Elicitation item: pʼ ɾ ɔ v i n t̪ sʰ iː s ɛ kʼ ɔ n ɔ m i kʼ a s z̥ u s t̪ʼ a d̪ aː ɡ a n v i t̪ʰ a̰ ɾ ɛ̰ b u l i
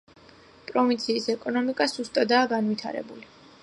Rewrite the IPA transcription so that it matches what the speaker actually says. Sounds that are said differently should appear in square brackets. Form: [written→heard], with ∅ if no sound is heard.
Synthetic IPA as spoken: pʼ ɾ ɔ v i n t̪ sʰ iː s ɛ kʼ ɔ n ɔ m i kʼ a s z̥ u s t̪ʼ a d̪ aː ɡ a n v i t̪ʰ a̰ ɾ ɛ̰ b u l i